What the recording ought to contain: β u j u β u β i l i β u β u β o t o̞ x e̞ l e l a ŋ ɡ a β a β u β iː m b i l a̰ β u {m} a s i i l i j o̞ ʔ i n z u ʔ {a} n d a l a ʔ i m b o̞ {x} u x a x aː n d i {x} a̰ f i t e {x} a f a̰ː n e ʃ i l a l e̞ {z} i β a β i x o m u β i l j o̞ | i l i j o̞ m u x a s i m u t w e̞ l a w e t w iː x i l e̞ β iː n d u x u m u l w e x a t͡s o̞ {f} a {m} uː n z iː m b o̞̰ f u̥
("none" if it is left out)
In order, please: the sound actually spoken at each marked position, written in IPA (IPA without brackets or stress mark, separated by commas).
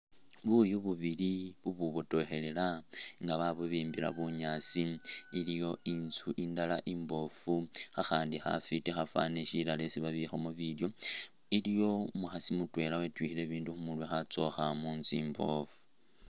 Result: ɲ, i, f, x, x, s, x, m